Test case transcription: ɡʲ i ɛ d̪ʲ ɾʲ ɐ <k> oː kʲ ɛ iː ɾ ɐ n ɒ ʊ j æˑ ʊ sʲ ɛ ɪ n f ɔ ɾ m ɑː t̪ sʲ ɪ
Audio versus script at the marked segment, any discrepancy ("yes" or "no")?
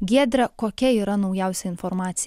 no